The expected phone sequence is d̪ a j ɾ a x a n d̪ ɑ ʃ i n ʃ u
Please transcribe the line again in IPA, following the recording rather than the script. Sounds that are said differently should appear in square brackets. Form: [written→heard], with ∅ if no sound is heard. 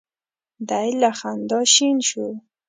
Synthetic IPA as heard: d̪ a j [ɾ→l] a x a n d̪ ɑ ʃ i n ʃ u